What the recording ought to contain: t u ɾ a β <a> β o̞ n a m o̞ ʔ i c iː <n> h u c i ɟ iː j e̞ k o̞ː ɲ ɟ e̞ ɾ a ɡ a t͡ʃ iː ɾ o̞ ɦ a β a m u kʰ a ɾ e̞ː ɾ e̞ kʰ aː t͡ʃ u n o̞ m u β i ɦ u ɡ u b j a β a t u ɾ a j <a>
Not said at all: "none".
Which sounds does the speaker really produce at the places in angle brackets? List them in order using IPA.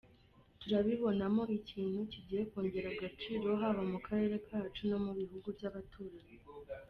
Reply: i, n, e

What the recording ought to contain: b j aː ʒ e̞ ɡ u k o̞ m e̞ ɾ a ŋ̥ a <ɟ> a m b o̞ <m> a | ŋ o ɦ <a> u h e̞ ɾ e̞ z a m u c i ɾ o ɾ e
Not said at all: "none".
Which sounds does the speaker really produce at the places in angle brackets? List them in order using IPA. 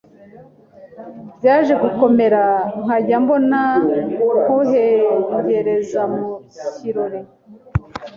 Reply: ɟ, n, e

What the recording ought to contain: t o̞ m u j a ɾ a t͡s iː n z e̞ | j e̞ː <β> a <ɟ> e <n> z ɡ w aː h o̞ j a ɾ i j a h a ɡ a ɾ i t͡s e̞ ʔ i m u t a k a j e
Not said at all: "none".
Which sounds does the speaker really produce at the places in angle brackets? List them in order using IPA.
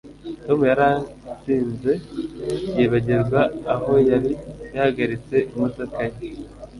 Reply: β, ɟ, none

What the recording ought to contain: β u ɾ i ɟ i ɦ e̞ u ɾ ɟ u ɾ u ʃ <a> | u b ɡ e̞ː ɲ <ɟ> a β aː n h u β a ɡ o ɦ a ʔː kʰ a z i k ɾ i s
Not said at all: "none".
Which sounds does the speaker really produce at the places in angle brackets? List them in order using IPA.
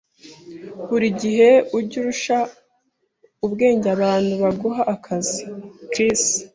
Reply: a, ɟ

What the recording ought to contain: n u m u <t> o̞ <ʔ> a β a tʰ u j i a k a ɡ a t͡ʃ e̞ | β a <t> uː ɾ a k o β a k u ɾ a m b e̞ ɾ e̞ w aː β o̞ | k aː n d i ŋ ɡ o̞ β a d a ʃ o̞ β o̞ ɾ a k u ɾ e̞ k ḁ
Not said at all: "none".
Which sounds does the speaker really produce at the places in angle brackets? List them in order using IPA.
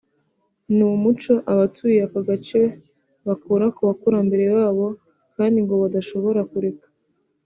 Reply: t͡ʃ, ʔ, k

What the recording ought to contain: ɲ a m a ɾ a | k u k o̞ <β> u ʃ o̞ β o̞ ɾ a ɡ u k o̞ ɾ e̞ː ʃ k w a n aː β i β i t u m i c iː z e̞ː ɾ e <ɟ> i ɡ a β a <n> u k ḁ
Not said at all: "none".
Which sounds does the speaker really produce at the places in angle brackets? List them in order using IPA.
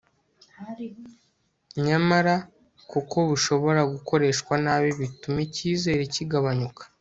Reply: β, c, ɲ

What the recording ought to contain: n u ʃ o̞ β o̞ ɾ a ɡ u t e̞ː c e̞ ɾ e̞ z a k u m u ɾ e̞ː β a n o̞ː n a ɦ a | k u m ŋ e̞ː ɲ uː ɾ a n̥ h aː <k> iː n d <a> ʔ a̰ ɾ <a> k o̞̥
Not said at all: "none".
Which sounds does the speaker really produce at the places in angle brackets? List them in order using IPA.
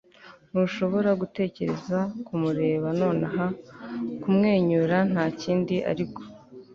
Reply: c, i, i

